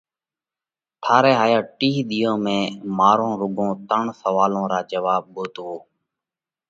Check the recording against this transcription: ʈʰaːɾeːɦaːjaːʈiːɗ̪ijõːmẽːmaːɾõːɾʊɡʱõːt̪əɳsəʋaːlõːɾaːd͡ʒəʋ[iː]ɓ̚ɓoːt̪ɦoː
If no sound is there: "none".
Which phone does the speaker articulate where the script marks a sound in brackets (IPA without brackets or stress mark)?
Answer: aː